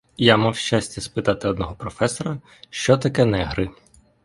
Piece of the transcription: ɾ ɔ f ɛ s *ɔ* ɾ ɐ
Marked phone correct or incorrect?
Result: correct